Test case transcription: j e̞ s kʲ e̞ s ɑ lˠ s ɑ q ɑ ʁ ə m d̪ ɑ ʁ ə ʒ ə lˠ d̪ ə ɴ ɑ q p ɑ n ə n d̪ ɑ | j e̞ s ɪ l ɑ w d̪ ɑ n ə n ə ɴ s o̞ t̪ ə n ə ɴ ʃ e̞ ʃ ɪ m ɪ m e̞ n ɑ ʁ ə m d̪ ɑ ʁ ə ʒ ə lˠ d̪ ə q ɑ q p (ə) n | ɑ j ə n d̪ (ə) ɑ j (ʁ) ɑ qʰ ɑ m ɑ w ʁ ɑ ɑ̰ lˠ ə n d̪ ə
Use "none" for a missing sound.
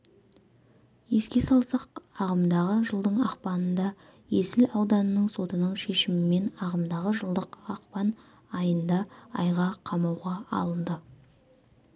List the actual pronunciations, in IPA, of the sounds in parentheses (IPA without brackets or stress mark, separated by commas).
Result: ɑ, ɑ, ʁ